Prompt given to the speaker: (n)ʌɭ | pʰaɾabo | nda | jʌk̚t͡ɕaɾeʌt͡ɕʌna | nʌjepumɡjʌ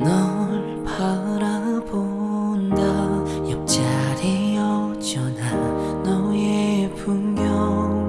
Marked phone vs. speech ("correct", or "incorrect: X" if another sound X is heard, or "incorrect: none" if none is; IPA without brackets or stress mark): correct